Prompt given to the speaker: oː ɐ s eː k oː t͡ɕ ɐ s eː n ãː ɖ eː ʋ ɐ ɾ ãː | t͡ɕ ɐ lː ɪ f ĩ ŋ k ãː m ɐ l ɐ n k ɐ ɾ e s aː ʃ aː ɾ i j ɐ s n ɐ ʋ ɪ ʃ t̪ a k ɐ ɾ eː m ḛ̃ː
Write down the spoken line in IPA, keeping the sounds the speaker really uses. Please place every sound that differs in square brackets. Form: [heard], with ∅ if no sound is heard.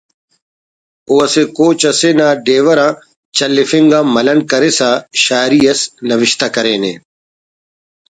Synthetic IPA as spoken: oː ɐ s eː k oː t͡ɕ ɐ s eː n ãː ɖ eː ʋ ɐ ɾ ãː | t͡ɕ ɐ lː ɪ f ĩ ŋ [ɡ] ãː m ɐ l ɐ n k ɐ ɾ e s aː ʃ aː ɾ i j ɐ s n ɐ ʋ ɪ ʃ t̪ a k ɐ ɾ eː [n] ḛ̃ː